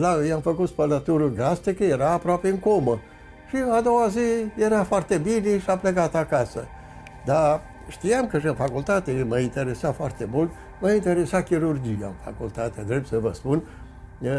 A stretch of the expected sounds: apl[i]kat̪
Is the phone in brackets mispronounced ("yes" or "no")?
yes